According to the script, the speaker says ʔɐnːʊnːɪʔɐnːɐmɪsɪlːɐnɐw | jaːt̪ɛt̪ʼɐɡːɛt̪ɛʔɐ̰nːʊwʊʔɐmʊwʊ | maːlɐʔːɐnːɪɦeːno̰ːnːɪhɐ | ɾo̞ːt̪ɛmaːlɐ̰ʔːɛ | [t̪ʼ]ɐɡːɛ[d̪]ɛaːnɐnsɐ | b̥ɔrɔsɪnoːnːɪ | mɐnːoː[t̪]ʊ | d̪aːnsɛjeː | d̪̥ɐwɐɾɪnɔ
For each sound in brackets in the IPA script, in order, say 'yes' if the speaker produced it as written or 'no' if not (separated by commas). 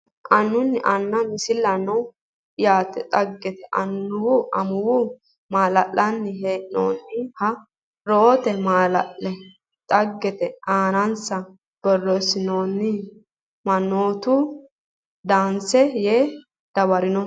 yes, no, yes